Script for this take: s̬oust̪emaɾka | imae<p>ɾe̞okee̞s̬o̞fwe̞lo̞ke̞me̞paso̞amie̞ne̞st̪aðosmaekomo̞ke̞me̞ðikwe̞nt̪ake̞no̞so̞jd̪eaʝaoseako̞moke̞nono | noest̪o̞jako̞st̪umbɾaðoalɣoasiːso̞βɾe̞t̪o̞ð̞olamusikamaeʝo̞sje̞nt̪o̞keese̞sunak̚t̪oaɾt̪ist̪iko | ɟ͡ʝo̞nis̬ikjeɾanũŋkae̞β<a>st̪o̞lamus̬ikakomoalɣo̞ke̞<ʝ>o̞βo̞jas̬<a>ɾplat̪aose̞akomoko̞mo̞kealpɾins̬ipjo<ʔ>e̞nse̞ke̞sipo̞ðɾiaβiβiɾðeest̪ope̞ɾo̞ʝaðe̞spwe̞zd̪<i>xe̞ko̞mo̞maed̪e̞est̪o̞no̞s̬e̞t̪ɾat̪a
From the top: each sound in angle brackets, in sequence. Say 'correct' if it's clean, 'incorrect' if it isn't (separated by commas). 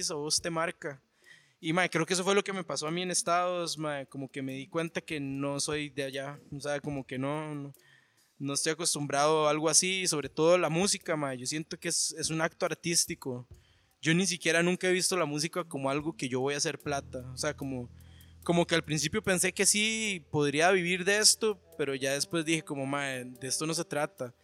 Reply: incorrect, incorrect, correct, incorrect, incorrect, correct